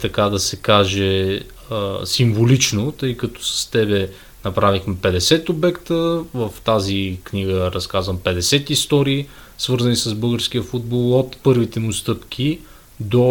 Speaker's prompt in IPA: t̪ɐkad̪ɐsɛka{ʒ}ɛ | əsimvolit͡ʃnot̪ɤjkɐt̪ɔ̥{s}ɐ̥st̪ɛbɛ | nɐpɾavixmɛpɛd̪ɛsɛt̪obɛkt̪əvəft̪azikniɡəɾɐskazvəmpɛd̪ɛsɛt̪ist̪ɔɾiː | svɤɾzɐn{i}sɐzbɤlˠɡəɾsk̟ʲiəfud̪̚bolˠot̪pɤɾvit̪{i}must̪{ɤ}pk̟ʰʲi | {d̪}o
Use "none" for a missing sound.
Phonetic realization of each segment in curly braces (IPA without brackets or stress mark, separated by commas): ʒ, s, i, ɛ, ɤ, d̪